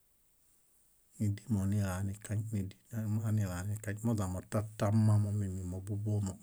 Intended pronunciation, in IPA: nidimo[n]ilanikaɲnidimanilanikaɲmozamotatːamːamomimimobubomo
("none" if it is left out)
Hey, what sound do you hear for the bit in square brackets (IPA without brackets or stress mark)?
n